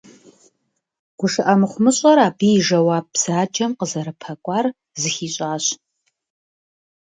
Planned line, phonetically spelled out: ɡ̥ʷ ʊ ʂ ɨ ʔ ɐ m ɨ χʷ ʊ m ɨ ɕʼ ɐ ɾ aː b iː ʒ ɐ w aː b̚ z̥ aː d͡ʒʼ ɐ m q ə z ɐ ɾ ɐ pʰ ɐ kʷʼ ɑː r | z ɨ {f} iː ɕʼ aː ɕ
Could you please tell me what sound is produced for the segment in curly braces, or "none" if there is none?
x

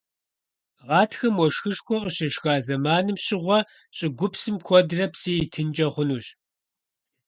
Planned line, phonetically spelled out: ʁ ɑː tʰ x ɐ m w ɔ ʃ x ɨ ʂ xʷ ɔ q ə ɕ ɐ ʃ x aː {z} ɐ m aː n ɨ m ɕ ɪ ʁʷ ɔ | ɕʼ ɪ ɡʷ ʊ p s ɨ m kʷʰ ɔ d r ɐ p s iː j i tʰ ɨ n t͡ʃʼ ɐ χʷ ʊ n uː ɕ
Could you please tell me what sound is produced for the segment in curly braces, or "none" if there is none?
z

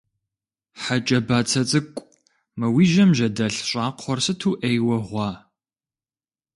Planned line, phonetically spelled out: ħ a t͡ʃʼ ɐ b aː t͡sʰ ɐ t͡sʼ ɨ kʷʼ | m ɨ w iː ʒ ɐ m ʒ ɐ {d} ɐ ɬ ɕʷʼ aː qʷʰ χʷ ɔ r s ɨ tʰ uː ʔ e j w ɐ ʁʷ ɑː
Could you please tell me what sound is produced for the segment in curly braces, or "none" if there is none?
d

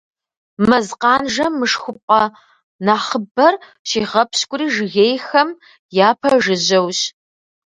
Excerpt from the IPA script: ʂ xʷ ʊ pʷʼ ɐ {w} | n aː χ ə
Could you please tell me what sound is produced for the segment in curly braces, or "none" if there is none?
none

